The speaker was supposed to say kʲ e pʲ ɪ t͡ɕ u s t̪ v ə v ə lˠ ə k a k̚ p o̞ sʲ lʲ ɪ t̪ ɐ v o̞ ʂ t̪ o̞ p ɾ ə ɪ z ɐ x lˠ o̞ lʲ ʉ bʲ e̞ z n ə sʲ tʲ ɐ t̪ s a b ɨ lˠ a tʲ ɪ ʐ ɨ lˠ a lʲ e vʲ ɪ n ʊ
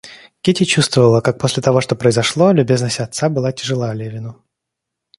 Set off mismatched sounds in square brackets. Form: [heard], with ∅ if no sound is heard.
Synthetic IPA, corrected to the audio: kʲ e [tʲ] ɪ t͡ɕ u s t̪ v ə v ə lˠ ə k a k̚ p o̞ sʲ lʲ ɪ t̪ ɐ v o̞ ʂ t̪ o̞ p ɾ ə ɪ z ɐ [ʂ] lˠ o̞ lʲ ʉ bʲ e̞ z n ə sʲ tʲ ɐ t̪ s a b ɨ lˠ a tʲ ɪ ʐ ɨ lˠ a lʲ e vʲ ɪ n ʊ